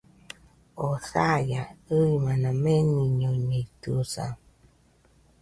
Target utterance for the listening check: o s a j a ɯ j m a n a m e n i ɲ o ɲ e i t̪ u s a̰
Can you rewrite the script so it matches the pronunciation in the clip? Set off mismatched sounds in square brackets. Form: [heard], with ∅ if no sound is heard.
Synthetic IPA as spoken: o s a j a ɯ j m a n a m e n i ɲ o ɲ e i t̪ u s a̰